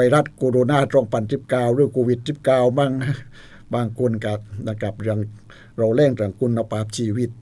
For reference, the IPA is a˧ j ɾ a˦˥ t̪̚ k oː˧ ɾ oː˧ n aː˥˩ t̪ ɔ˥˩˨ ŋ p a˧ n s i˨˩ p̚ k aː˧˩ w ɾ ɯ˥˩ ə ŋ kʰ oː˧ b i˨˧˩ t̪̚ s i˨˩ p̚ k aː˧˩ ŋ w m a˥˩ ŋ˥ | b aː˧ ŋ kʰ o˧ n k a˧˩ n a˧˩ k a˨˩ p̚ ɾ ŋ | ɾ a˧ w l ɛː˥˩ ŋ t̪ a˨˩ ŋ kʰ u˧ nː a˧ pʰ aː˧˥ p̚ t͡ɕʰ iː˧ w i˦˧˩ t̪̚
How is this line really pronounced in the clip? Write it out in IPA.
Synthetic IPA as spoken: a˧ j ɾ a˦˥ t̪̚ k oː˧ ɾ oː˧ n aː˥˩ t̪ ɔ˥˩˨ ŋ p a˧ n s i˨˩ p̚ k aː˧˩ w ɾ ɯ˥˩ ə ŋ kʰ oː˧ w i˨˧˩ t̪̚ s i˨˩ p̚ k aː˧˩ w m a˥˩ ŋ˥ | b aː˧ ŋ kʰ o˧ n k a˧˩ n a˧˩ k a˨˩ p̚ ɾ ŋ | ɾ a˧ w l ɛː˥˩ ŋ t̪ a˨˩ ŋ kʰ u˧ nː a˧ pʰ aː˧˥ p̚ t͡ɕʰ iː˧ w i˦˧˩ t̪̚